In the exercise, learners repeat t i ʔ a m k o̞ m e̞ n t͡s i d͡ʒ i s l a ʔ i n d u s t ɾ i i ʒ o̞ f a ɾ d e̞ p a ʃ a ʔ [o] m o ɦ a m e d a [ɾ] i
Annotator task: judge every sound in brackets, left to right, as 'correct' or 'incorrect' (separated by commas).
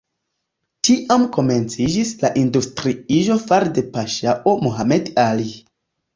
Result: correct, incorrect